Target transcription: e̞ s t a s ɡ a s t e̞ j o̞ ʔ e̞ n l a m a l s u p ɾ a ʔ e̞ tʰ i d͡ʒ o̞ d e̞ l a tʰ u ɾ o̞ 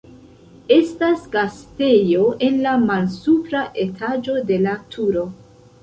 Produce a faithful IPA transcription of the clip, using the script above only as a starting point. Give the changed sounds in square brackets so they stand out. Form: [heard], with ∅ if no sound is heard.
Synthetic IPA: e̞ s t a s ɡ a s t e̞ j o̞ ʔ e̞ n l a m a l s u p ɾ a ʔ e̞ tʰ [a] d͡ʒ o̞ d e̞ l a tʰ u ɾ o̞